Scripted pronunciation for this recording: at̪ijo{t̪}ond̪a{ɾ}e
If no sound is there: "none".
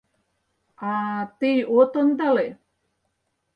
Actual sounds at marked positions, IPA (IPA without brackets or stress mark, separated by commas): t̪, l